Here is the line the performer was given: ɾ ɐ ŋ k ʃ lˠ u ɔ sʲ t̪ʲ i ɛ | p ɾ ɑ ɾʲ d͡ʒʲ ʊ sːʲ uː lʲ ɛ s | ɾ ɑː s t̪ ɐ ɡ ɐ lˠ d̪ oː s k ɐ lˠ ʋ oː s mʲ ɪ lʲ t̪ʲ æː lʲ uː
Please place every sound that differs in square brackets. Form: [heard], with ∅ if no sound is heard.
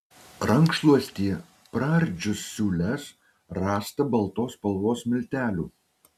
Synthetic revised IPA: ɾ ɐ ŋ k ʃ lˠ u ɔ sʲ t̪ʲ i ɛ | p ɾ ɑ ɾʲ d͡ʒʲ ʊ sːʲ uː lʲ ɛ s | ɾ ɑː s t̪ ɐ [b] ɐ lˠ [t̪] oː s [p] ɐ lˠ ʋ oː s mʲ ɪ lʲ t̪ʲ æː lʲ uː